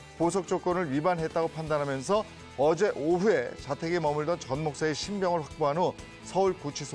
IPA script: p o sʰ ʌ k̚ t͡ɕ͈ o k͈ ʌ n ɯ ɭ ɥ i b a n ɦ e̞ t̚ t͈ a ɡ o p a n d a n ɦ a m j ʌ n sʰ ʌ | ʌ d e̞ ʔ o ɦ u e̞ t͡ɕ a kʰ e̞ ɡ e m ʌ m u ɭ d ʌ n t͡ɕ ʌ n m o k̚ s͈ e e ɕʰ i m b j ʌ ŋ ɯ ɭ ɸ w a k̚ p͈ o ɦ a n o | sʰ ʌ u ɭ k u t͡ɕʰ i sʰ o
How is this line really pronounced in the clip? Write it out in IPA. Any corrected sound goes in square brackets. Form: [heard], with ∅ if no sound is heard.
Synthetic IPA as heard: p o sʰ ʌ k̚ t͡ɕ͈ o k͈ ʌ n ɯ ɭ ɥ i b a n ɦ e̞ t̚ t͈ a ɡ o [pʰ] a n d a n ɦ a m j ʌ n sʰ ʌ | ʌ [d͡ʑ] e̞ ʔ o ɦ u e̞ t͡ɕ a [tʰ] e̞ ɡ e m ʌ m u ɭ d ʌ n t͡ɕ ʌ n m o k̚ s͈ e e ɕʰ i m b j ʌ ŋ ɯ ɭ ɸ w a k̚ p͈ o ɦ a n o | sʰ ʌ u ɭ k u t͡ɕʰ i sʰ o